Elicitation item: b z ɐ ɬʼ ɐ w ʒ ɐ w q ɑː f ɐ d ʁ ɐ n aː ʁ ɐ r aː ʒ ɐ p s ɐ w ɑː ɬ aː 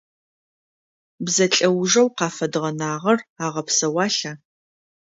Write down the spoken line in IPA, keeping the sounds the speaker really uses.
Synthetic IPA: b z ɐ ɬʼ ɐ w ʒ ɐ w q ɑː f ɐ d ʁ ɐ n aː ʁ ɐ r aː ʁ ɐ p s ɐ w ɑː ɬ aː

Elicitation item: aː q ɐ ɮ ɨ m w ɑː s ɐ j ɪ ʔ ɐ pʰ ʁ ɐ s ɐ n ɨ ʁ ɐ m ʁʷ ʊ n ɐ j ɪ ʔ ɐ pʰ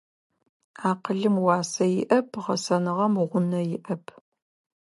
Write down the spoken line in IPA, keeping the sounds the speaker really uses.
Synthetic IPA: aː q ə ɮ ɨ m w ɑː s ɐ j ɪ ʔ ɐ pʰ ʁ ɐ s ɐ n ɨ ʁ ɐ m ʁʷ ʊ n ɐ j ɪ ʔ ɐ pʰ

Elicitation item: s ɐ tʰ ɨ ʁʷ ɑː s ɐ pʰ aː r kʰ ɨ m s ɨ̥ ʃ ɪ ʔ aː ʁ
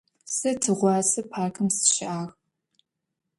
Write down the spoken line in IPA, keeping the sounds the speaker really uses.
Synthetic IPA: s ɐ tʰ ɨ ʁʷ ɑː s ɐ pʰ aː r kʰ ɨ m s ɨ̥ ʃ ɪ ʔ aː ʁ

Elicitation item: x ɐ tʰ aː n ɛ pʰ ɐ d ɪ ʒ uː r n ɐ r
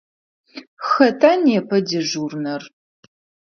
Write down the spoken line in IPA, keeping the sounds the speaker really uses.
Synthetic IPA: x ɐ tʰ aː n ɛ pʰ ɐ d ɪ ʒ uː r n ɐ r

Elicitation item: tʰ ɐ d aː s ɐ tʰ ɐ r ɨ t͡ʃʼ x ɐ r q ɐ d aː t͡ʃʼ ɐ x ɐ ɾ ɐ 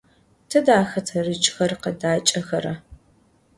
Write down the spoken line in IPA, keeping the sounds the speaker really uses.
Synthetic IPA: tʰ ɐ d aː x ɐ tʰ ɐ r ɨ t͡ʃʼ x ɐ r q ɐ d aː t͡ʃʼ ɐ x ɐ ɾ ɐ

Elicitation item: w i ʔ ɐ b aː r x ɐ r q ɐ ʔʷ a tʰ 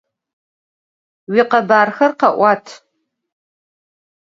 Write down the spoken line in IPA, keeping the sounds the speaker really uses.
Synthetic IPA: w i q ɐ b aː r x ɐ r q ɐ ʔʷ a tʰ

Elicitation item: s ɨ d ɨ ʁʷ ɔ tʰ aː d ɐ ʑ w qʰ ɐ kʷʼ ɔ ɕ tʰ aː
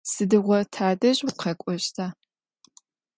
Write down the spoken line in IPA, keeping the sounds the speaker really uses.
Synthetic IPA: s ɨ d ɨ ʁʷ ɔ tʰ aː d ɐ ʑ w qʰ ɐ kʷʼ ɔ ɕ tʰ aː

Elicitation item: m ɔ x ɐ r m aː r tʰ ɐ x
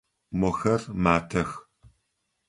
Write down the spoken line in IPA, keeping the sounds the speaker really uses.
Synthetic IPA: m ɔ x ɐ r m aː tʰ ɐ x

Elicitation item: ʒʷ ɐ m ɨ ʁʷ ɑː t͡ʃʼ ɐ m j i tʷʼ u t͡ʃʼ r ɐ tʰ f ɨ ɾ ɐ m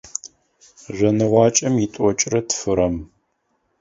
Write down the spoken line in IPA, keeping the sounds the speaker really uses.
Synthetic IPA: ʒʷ ɐ n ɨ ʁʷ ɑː t͡ʃʼ ɐ m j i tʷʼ ɔ t͡ʃʼ r ɐ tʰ f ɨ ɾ ɐ m

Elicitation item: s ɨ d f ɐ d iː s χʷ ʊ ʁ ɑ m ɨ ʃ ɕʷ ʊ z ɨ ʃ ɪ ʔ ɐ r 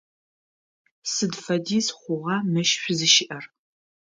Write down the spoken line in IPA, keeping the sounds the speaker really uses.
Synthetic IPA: s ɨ d f ɐ d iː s χʷ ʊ ʁ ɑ m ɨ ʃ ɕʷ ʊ z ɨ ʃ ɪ ʔ ɐ r

